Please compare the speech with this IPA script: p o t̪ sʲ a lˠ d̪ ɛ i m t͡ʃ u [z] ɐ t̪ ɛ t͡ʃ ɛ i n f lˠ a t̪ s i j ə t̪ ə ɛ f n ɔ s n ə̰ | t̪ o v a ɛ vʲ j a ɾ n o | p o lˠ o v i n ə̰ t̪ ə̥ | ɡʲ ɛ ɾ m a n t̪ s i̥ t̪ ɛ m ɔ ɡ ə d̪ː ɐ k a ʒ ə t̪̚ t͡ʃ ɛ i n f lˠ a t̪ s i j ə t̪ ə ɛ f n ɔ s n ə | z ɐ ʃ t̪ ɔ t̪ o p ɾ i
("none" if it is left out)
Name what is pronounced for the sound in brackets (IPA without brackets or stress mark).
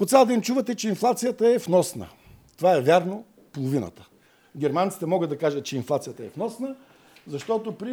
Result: v